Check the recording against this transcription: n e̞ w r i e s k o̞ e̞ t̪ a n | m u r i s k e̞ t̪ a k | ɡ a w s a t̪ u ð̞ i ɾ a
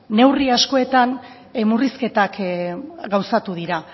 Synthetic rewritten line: n e̞ w r i a s k o̞ e̞ t̪ a n | m u r i s k e̞ t̪ a k | ɡ a w s a t̪ u ð̞ i ɾ a